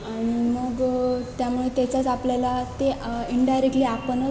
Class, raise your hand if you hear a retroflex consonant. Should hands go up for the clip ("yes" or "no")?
yes